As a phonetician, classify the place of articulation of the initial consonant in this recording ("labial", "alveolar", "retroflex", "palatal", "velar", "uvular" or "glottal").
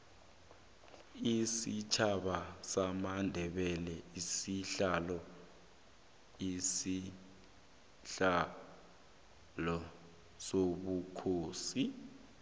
alveolar